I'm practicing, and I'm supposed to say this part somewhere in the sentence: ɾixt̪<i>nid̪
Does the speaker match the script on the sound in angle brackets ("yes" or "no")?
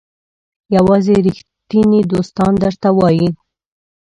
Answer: yes